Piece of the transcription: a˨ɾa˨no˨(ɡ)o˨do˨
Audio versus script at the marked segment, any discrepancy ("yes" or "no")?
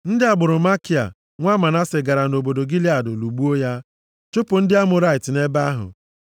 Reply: yes